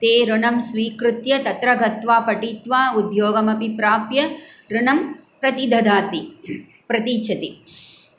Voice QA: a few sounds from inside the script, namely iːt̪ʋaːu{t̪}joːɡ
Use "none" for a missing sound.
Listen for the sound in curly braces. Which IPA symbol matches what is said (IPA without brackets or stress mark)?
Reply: d̪